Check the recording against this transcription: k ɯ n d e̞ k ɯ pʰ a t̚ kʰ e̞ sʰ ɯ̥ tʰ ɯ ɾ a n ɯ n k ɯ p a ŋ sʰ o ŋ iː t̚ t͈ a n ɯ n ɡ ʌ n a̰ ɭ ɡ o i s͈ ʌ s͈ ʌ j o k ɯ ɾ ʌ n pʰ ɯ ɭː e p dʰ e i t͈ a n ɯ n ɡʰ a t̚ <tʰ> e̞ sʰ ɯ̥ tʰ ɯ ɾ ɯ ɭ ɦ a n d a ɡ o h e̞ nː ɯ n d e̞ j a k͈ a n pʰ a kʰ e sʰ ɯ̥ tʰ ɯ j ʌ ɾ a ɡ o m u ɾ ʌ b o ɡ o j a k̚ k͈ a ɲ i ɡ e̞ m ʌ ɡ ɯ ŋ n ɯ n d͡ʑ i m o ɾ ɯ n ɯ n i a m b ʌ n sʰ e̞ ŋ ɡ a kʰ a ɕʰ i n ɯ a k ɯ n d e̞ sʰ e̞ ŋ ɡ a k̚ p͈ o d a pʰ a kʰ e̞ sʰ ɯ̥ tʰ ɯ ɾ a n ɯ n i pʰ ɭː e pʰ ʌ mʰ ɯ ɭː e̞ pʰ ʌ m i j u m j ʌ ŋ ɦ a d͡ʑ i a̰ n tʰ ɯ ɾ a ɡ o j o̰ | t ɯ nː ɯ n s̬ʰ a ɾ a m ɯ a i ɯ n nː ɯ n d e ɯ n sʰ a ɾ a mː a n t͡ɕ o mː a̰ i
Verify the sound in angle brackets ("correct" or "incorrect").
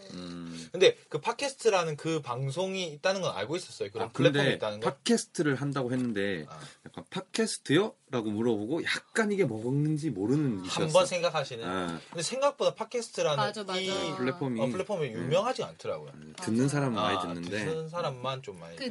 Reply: incorrect